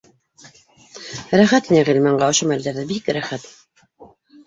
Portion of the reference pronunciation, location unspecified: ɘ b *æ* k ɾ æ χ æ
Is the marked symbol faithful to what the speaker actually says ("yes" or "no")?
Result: no